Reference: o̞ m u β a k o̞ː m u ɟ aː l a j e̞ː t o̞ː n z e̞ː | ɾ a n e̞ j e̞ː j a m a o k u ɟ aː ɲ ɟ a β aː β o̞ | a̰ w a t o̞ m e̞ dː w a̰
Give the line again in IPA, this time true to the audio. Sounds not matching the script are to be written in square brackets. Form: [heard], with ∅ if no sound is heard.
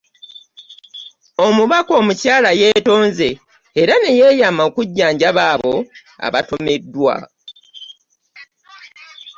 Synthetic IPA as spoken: o̞ m u β a k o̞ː m u [c] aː l a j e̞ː t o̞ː n z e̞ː | ɾ a n e̞ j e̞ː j a m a o k u [ɟː] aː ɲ ɟ a β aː β o̞ | a̰ [β] a t o̞ m e̞ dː w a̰